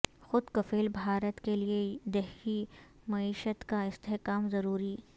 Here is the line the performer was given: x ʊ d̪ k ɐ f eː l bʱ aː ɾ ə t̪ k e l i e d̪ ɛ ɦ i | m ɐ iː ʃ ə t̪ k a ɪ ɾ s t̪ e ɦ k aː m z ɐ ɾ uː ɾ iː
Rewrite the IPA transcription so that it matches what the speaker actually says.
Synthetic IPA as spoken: x ʊ d̪ k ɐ f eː l bʱ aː ɾ ə t̪ k e l i e d̪ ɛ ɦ i | m ɐ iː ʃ ə t̪ k a ɪ s t̪ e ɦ k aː m z ɐ ɾ uː ɾ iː

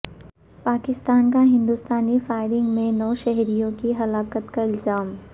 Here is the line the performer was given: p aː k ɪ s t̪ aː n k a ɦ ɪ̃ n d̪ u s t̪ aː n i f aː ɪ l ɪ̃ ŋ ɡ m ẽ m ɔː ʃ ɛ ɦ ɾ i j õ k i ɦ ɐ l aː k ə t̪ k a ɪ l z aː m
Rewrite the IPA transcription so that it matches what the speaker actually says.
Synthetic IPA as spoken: p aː k ɪ s t̪ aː n k a ɦ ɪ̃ n d̪ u s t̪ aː n i f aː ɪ ɾ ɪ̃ ŋ ɡ m ẽ n ɔː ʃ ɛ ɦ ɾ i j õ k i ɦ ɐ l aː k ə t̪ k a ɪ l z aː m

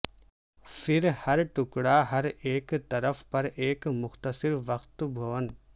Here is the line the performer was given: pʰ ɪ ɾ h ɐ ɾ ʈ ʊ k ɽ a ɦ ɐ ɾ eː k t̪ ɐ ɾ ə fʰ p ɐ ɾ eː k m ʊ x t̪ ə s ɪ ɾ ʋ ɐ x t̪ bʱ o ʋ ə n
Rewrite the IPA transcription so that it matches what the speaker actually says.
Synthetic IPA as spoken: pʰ ɪ ɾ h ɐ ɾ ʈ ʊ k ɽ a ɦ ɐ ɾ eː k t̪ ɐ ɾ ə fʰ p ɐ ɾ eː k m ʊ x t̪ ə s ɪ ɾ ʋ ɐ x t̪ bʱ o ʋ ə n

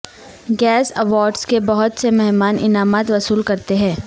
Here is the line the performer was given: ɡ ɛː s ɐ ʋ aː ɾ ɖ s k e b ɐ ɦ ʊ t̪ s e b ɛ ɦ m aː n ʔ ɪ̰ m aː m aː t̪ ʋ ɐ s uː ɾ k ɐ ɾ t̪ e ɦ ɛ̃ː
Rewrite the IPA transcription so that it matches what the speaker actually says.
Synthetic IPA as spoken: ɡ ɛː s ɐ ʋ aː ɾ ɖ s k e b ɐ ɦ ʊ t̪ s e m ɛ ɦ m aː n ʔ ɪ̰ n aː m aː t̪ ʋ ɐ s uː l k ɐ ɾ t̪ e ɦ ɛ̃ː

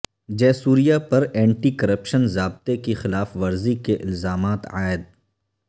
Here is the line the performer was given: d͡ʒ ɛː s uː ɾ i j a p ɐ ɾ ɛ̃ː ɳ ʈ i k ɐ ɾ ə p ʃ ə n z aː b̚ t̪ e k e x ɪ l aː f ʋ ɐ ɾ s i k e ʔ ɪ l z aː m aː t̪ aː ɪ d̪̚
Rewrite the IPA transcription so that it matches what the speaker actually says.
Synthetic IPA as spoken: d͡ʒ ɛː s uː ɾ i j a p ɐ ɾ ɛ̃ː ɳ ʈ i k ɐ ɾ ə p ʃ ə n z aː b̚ t̪ e k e x ɪ l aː f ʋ ɐ ɾ z i k e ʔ ɪ l z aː m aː t̪ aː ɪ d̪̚

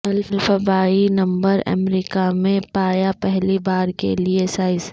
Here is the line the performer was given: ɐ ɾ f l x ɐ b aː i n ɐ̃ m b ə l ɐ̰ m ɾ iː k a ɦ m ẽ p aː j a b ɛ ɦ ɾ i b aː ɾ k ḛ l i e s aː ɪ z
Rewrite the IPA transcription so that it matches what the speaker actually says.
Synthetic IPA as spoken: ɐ l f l f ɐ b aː i n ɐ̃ m b ə ɾ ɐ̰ m ɾ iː k a m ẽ p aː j a p ɛ ɦ l i b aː ɾ k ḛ l i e s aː ɪ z

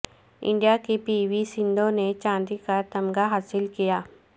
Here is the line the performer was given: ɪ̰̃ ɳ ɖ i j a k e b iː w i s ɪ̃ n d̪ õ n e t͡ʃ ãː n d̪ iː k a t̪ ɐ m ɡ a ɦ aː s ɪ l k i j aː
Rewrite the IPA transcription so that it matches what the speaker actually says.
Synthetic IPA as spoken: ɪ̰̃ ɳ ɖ i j a k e p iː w i s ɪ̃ n d̪ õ n e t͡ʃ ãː n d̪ i k a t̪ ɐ m ɡ a ɦ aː s ɪ l k i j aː

